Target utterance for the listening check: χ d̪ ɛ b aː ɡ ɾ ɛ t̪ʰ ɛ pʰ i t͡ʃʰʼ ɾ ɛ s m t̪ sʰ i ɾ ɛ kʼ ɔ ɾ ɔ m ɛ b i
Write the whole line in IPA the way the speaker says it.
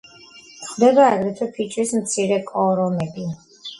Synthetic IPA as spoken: χ d̪ ɛ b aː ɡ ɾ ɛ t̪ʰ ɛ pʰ i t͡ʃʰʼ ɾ i s m t̪ sʰ i ɾ ɛ kʼ ɔ ɾ ɔ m ɛ b i